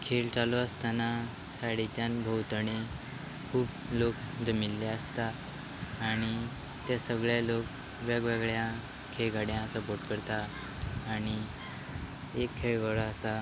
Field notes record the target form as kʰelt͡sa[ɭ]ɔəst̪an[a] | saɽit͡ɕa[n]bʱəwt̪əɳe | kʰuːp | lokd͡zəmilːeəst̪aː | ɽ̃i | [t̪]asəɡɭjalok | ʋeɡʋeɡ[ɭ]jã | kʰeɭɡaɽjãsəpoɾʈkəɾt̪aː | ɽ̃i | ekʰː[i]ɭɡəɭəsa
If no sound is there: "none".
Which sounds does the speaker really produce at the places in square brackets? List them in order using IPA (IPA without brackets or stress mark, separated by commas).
l, a, n, t̪, ɭ, e